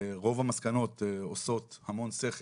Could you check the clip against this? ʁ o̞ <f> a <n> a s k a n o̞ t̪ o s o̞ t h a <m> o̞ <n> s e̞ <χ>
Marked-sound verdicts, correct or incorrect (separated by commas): incorrect, incorrect, correct, correct, correct